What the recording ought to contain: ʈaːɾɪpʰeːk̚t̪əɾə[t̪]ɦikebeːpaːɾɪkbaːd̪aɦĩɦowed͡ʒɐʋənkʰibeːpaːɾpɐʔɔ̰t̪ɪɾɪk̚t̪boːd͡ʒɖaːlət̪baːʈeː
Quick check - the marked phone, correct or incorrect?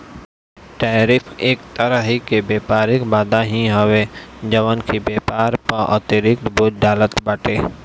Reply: incorrect